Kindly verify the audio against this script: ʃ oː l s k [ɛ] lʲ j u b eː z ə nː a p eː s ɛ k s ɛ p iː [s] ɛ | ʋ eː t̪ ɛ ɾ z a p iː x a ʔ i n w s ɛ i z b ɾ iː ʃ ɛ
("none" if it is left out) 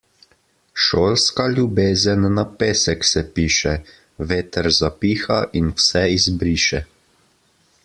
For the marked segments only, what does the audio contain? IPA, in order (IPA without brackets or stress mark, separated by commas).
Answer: a, ʃ